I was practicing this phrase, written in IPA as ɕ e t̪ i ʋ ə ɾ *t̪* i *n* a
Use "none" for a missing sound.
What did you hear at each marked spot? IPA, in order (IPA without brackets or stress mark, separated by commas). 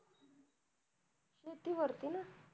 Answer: t̪, n